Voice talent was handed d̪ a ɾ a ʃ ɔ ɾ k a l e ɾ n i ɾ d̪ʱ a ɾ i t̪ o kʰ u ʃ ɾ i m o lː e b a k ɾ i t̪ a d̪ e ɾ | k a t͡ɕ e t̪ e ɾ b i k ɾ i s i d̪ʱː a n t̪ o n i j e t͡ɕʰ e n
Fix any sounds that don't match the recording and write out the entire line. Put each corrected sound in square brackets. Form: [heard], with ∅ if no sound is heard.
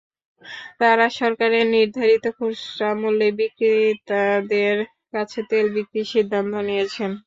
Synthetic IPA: [t̪] a ɾ a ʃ ɔ ɾ k a [ɾ] e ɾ n i ɾ d̪ʱ a ɾ i t̪ o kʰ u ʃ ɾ [a] m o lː e b [i] k ɾ i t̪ a d̪ e ɾ | k a [t͡ɕʰ] e t̪ e [l] b i k ɾ i [ʃ] i d̪ʱː a n t̪ o n i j e t͡ɕʰ e n